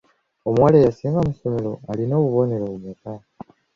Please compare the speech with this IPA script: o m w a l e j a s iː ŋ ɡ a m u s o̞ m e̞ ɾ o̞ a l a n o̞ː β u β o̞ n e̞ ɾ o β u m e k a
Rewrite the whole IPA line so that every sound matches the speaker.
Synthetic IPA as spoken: o m w a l e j a s iː ŋ ɡ a m u s o̞ m e̞ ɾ o̞ a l i n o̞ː β u β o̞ n e̞ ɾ o β u m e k a